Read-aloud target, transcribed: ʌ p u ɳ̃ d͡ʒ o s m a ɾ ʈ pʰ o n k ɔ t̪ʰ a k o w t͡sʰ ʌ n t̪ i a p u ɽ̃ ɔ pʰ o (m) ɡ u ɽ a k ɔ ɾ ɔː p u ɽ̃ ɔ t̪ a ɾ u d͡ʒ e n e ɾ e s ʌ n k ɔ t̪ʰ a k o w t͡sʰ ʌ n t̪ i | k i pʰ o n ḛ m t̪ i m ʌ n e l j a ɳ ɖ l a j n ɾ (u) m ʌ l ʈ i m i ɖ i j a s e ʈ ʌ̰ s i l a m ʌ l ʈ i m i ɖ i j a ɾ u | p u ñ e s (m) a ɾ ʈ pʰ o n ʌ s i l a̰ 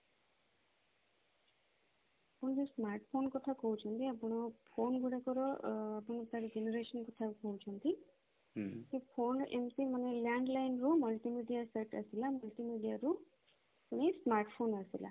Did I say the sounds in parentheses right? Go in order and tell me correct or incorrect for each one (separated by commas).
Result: incorrect, correct, correct